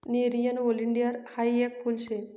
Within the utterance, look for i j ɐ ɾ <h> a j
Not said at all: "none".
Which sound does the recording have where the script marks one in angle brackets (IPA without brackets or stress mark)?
h